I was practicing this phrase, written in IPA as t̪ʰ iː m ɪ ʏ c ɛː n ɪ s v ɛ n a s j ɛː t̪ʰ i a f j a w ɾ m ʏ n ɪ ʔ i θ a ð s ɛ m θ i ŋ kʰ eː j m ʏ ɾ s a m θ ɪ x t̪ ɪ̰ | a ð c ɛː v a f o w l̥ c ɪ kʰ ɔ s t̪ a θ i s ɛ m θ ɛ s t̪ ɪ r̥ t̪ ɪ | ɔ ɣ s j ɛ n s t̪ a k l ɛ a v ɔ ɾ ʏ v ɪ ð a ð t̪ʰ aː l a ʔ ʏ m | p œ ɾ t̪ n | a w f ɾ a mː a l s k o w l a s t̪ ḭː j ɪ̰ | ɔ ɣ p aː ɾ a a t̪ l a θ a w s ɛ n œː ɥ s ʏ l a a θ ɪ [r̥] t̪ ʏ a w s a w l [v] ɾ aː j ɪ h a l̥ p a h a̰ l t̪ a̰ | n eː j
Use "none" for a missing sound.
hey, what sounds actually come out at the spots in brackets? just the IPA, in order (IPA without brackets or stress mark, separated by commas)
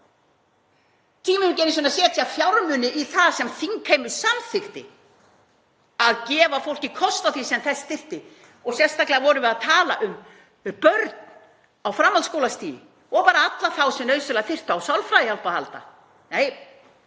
r̥, f